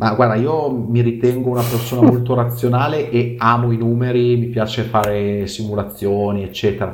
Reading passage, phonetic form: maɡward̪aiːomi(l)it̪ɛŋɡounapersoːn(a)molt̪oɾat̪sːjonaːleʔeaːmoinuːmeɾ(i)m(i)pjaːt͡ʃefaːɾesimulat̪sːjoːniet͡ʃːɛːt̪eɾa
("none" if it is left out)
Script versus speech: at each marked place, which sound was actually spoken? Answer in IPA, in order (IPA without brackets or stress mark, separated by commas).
ɾ, a, i, i